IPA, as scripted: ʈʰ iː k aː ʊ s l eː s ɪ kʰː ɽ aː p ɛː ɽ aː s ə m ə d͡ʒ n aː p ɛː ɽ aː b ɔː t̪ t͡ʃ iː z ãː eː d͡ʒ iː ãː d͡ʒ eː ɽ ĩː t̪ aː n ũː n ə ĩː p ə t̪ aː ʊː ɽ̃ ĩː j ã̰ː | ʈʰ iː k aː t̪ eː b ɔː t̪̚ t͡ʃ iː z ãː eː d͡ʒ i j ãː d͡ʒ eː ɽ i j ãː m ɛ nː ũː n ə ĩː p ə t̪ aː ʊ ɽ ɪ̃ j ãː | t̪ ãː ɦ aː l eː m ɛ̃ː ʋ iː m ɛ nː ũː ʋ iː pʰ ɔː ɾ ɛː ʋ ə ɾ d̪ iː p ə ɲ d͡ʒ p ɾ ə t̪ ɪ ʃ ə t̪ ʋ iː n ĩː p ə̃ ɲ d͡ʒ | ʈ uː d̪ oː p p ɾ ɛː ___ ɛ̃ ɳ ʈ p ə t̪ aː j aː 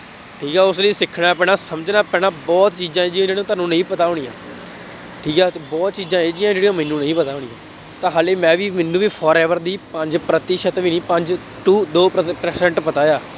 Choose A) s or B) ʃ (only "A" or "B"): A